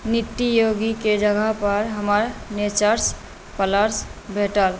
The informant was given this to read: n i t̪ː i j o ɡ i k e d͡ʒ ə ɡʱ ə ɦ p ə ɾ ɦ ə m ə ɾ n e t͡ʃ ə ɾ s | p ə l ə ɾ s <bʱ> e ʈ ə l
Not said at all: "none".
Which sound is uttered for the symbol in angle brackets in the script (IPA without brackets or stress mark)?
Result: bʱ